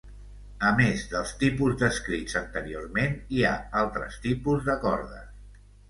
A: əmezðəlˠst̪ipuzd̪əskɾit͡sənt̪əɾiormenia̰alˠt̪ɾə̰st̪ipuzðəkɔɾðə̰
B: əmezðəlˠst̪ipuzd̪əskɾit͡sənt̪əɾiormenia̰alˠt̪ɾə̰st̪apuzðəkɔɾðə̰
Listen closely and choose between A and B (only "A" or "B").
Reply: A